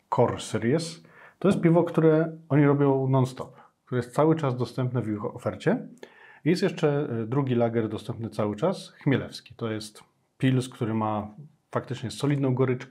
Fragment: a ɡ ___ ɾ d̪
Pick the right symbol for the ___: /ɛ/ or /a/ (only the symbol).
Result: ɛ